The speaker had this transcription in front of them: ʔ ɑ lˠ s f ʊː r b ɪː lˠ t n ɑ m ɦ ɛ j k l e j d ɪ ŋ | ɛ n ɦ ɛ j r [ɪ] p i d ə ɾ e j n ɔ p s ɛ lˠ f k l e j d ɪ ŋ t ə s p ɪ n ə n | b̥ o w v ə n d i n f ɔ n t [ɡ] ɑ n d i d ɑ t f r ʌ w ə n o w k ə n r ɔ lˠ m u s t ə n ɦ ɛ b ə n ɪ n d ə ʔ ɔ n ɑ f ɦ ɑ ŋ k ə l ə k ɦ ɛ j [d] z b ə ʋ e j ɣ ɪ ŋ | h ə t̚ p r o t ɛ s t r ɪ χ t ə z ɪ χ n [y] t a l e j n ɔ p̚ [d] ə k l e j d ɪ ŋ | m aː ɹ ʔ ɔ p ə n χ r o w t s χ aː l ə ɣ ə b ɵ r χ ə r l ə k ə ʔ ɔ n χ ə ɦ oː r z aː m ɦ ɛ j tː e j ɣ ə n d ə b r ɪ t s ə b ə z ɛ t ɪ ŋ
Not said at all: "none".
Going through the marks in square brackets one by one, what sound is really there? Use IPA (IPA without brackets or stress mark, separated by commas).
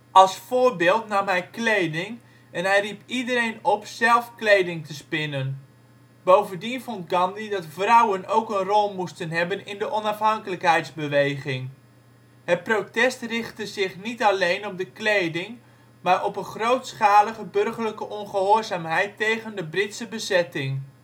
i, ɡ, t, i, d